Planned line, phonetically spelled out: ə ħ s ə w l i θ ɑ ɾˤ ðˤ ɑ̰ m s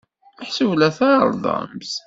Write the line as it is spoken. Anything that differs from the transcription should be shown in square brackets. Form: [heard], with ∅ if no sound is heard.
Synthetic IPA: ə ħ s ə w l [æ] θ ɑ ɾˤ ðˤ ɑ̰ m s